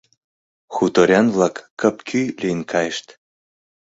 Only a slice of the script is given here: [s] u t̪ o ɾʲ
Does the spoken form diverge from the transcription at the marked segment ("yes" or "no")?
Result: yes